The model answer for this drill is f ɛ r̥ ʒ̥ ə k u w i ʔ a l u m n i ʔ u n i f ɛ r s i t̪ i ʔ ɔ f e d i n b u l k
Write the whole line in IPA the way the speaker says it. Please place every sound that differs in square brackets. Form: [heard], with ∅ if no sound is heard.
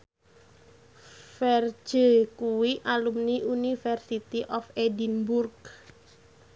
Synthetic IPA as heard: f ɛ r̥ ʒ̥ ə k u w i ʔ a l u m n i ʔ u n i f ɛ r s i t̪ i ʔ ɔ f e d i n b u [r] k